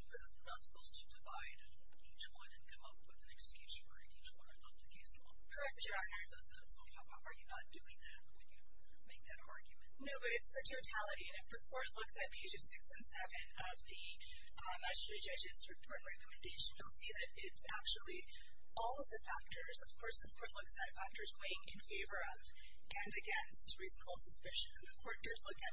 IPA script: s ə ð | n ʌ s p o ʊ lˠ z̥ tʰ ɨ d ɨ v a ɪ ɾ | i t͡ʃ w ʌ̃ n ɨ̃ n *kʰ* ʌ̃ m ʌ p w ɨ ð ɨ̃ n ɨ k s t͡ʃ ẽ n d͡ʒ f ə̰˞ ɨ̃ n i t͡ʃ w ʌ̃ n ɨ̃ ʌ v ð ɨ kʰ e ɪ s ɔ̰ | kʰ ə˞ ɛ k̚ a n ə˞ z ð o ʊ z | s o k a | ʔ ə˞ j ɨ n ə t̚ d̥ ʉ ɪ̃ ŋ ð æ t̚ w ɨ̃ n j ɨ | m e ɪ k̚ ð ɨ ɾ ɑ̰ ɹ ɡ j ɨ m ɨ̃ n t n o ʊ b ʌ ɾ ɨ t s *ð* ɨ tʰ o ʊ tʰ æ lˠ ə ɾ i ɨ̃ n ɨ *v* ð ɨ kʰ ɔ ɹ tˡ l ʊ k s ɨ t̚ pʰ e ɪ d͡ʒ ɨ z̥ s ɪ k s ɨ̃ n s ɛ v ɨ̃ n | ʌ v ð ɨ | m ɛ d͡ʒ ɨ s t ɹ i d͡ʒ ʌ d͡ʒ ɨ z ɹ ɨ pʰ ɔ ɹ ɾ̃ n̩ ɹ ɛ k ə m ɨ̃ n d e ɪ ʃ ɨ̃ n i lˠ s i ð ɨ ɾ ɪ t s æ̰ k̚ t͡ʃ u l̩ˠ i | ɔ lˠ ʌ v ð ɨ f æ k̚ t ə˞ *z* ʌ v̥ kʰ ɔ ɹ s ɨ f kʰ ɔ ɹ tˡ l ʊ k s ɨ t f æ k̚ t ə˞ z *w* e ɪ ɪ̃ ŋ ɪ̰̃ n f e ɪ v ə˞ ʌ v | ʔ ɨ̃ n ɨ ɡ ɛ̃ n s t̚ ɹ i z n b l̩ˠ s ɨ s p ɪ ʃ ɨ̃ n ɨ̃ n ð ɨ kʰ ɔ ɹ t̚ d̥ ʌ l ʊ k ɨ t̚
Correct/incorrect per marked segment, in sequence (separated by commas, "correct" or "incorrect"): correct, correct, incorrect, correct, correct